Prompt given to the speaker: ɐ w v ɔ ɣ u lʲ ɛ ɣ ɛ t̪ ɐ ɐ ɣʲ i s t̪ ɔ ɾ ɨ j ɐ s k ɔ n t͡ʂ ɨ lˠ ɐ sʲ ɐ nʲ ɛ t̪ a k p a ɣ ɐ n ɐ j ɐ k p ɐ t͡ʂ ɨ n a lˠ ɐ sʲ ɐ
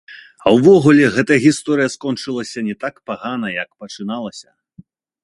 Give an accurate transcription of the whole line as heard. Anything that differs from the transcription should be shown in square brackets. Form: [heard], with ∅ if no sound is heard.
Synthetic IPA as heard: ɐ w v ɔ ɣ u lʲ ɛ ɣ ɛ t̪ ɐ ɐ ɣʲ i s t̪ ɔ ɾ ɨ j ɐ s k ɔ n t͡ʂ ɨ lˠ ɐ sʲ ɐ nʲ ɛ t̪ a k p a ɣ [a] n ɐ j ɐ k p ɐ t͡ʂ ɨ n a lˠ ɐ sʲ ɐ

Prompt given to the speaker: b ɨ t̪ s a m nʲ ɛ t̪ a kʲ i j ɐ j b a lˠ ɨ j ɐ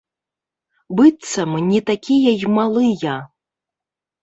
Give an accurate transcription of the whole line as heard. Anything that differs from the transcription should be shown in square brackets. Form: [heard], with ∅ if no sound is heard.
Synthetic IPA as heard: b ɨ t̪ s [ɐ] m nʲ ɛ t̪ a kʲ i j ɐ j [m] a lˠ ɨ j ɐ

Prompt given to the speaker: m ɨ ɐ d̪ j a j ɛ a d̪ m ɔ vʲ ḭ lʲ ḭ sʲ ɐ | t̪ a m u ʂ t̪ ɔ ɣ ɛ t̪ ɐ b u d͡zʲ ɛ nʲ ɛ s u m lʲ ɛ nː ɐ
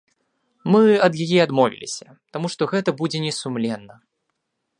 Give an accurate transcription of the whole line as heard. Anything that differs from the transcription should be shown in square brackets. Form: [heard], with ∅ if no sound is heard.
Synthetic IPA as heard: m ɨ ɐ d̪ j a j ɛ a d̪ m ɔ vʲ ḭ lʲ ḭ sʲ ɐ | t̪ a m u ʂ t̪ ɔ ɣ ɛ t̪ ɐ b u d͡zʲ ɛ nʲ ɛ s u m lʲ ɛ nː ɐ

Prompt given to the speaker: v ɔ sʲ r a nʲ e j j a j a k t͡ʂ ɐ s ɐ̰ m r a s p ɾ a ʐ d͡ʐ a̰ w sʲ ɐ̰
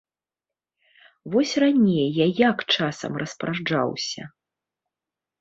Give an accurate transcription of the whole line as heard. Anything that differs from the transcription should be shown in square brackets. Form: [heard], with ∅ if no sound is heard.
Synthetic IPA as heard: v ɔ sʲ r a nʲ e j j a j a k t͡ʂ [a] s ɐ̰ m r [ɐ] s p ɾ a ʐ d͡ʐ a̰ w sʲ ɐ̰

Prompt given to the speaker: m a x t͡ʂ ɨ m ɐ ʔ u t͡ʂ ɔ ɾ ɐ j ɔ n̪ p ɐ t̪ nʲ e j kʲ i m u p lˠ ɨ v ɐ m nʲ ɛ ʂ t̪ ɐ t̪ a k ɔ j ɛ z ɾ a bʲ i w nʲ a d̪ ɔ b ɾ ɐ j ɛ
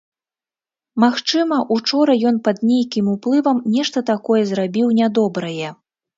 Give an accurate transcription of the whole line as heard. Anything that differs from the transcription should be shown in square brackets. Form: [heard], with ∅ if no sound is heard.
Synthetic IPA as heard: m a x t͡ʂ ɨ m ɐ ʔ u t͡ʂ ɔ ɾ ɐ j ɔ n̪ p ɐ [d̪] nʲ e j kʲ i m u p lˠ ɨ v ɐ m nʲ ɛ ʂ t̪ ɐ t̪ a k ɔ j ɛ z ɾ a bʲ i w nʲ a d̪ ɔ b ɾ ɐ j ɛ

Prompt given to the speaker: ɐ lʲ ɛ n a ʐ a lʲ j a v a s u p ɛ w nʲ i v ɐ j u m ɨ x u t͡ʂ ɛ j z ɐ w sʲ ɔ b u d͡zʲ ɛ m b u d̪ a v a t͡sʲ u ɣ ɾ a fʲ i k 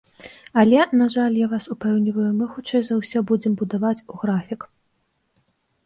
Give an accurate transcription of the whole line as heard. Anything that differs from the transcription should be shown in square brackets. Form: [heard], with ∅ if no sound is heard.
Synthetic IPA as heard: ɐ lʲ ɛ n a ʐ a lʲ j a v a s u p ɛ w nʲ i v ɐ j u m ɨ x u t͡ʂ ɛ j z ɐ w sʲ ɔ b u d͡zʲ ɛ m b u d̪ a v a t͡sʲ u ɣ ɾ a fʲ i k

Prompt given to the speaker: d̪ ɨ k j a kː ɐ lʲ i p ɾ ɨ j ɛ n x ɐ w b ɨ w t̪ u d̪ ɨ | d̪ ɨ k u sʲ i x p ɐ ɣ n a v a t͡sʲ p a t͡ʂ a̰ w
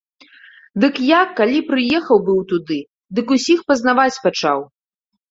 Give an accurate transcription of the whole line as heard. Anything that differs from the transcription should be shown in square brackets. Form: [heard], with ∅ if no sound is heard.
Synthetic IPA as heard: d̪ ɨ k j a kː [a] lʲ i p ɾ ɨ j ɛ [∅] x ɐ w b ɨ w t̪ u d̪ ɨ | d̪ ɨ k u sʲ i x p ɐ [z] n a v a t͡sʲ p a t͡ʂ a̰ w

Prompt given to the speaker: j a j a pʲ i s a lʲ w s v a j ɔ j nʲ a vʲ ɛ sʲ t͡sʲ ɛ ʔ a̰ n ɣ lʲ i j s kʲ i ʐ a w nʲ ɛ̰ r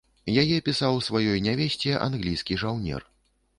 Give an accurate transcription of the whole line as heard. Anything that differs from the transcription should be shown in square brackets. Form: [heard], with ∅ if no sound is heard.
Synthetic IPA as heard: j a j [ɛ] pʲ i s a [∅] w s v a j ɔ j nʲ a vʲ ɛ sʲ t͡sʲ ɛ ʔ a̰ n ɣ lʲ i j s kʲ i ʐ a w nʲ ɛ̰ r

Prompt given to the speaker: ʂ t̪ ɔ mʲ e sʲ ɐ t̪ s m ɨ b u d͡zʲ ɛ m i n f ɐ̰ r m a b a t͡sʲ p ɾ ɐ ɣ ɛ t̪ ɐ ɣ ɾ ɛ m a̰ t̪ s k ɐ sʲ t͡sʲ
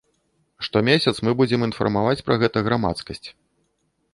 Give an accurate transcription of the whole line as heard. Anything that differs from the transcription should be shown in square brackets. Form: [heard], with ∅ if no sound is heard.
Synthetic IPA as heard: ʂ t̪ ɔ mʲ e sʲ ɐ t̪ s m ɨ b u d͡zʲ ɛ m i n f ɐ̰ r m a [v] a t͡sʲ p ɾ ɐ ɣ ɛ t̪ ɐ ɣ ɾ [a] m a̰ t̪ s k ɐ sʲ t͡sʲ

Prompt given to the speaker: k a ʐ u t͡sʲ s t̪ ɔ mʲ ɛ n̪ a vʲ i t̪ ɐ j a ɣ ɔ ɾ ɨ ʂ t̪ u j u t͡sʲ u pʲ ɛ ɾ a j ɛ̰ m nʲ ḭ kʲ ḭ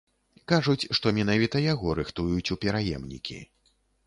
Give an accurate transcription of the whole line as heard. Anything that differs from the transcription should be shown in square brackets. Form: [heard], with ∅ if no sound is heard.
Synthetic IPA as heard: k a ʐ u t͡sʲ [ʂ] t̪ ɔ mʲ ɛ n̪ a vʲ i t̪ ɐ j a ɣ ɔ ɾ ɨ [x] t̪ u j u t͡sʲ u pʲ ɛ ɾ a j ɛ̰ m nʲ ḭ kʲ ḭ

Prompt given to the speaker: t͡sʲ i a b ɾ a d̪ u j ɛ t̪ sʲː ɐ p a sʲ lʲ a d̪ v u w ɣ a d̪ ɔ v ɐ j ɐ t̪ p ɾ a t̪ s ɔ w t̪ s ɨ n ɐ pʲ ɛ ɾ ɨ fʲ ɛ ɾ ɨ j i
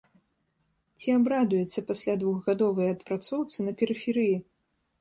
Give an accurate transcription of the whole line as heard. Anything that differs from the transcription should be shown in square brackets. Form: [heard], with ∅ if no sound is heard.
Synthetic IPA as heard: t͡sʲ i a b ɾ a d̪ u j ɛ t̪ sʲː ɐ p a sʲ lʲ a d̪ v u [ɣ] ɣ a d̪ ɔ v ɐ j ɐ t̪ p ɾ a t̪ s ɔ w t̪ s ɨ n ɐ pʲ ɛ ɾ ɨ fʲ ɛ ɾ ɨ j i

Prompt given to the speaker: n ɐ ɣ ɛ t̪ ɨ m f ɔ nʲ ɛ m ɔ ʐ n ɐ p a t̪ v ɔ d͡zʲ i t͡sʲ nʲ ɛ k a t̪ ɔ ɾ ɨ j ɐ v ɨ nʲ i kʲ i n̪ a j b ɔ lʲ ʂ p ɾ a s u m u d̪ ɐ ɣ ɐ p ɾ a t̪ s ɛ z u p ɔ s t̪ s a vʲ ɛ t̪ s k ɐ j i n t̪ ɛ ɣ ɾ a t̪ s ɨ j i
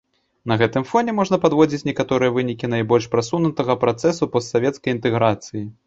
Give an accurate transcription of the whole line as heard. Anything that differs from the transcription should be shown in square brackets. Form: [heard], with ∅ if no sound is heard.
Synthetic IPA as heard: n ɐ ɣ ɛ t̪ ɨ m f ɔ nʲ ɛ m ɔ ʐ n ɐ p a [d̪] v ɔ d͡zʲ i t͡sʲ nʲ ɛ k a t̪ ɔ ɾ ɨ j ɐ v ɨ nʲ i kʲ i n̪ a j b ɔ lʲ ʂ p ɾ a s u [n] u [t̪] ɐ ɣ ɐ p ɾ a t̪ s ɛ [s] u p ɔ s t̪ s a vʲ ɛ t̪ s k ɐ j i n t̪ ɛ ɣ ɾ a t̪ s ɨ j i

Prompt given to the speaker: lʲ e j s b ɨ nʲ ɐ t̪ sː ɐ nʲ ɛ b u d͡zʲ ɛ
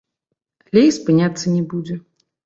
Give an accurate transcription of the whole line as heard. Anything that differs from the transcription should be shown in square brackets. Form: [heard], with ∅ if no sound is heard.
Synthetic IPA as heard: lʲ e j s [p] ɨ nʲ [a] t̪ sː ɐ nʲ ɛ b u d͡zʲ ɛ

